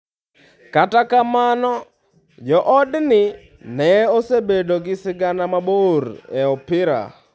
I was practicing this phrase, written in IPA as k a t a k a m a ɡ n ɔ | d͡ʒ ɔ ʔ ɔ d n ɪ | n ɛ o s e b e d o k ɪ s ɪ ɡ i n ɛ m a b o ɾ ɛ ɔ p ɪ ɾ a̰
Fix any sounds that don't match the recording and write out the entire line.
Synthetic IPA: k a t a k a m a n ɔ | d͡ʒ ɔ ʔ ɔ d n ɪ | n ɛ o s e b e d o ɡ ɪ s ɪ ɡ a n a m a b o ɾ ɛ ɔ p ɪ ɾ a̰